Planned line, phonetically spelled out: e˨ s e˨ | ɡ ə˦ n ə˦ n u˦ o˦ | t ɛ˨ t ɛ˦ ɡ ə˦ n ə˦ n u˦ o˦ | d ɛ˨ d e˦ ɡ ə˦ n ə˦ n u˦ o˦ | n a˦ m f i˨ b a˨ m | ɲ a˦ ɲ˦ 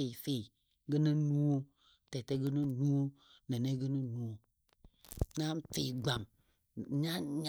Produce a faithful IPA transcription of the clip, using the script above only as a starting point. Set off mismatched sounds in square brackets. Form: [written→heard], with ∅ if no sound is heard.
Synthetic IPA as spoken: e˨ [s→f] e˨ | ɡ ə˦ n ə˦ n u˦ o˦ | t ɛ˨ t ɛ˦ ɡ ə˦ n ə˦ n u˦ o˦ | [d→n] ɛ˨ [d→n] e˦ ɡ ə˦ n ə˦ n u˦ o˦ | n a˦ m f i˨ [b→ɡ͡b] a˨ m | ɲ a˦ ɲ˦